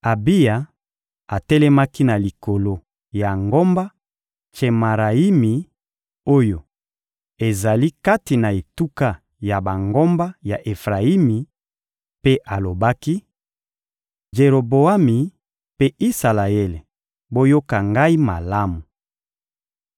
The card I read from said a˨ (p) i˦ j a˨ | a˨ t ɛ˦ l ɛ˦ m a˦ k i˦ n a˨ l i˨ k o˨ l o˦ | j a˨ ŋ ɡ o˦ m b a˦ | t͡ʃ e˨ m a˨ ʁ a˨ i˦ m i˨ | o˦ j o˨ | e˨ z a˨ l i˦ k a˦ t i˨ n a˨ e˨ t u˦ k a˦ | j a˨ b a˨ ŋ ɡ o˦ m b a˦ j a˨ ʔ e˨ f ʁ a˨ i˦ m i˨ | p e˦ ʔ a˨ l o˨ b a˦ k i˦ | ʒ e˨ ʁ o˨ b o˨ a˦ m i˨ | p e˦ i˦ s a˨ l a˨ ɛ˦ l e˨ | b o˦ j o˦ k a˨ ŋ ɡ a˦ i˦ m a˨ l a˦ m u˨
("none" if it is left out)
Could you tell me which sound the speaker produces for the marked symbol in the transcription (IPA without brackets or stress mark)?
b